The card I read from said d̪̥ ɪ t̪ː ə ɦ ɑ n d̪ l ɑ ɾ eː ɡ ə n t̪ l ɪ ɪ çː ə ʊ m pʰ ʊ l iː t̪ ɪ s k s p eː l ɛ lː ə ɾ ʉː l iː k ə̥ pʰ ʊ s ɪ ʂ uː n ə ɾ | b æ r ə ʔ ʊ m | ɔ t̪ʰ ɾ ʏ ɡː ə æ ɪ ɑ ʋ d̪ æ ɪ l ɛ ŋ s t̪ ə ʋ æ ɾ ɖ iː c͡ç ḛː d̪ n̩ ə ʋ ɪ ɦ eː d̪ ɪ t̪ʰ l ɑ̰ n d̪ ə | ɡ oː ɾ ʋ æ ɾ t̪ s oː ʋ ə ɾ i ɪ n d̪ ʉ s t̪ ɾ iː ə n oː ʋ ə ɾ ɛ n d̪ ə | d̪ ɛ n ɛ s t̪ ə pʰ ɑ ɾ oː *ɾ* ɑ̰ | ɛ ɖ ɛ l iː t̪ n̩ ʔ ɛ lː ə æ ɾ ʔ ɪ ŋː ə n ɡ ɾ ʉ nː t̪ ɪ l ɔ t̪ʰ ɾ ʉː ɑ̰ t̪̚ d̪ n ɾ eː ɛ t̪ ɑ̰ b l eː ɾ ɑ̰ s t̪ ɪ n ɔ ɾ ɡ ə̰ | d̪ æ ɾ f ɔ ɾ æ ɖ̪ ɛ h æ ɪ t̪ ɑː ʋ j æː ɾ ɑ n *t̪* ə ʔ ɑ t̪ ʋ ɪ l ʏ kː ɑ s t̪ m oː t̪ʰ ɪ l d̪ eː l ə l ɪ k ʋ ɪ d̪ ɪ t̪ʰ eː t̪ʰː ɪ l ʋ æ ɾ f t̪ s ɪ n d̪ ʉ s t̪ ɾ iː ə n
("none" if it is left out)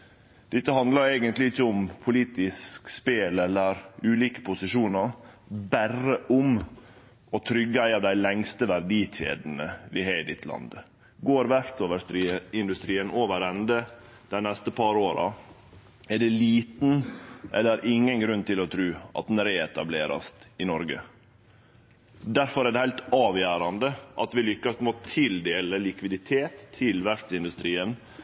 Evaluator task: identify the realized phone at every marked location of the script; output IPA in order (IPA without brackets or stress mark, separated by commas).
ɾ, d̪